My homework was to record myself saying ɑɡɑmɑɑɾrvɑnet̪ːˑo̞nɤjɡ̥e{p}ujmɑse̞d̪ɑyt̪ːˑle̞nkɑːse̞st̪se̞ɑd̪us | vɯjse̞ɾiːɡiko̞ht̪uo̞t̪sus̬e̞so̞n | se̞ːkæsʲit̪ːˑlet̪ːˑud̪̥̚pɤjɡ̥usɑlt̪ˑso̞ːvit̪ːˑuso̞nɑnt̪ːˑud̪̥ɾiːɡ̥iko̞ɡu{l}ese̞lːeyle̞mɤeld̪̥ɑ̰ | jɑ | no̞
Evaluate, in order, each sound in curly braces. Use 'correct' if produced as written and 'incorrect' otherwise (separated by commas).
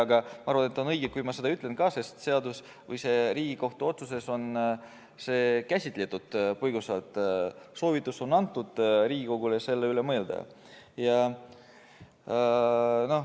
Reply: incorrect, correct